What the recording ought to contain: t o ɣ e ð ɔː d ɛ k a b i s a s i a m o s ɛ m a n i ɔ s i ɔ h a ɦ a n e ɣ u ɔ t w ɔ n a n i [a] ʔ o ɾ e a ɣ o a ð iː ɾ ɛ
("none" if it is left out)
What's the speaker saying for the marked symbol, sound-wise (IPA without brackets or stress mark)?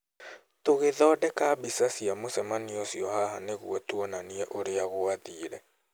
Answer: ɛ